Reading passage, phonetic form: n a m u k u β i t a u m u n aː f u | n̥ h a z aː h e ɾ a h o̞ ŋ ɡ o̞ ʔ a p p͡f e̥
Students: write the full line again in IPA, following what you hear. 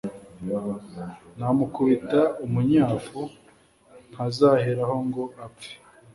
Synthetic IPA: n a m u k u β i t a u m u ɲ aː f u | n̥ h a z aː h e ɾ a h o̞ ŋ ɡ o̞ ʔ a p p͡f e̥